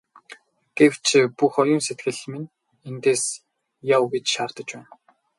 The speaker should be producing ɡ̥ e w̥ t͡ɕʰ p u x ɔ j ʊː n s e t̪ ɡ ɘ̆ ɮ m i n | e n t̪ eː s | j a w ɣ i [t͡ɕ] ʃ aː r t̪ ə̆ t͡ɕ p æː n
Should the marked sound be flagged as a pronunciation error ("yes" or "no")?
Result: no